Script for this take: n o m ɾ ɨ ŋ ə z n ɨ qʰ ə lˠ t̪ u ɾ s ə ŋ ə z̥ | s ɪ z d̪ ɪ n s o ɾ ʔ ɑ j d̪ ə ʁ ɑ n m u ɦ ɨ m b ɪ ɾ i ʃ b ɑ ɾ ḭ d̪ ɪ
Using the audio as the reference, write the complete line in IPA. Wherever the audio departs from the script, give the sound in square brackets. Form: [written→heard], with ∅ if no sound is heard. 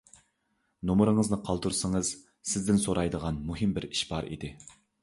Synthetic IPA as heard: n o m ɾ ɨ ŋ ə z n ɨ qʰ [ə→ɑ] lˠ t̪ u ɾ s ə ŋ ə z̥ | s ɪ z d̪ ɪ n s o ɾ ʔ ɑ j d̪ ə ʁ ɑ n m u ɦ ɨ m b ɪ ɾ i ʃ b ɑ ɾ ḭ d̪ ɪ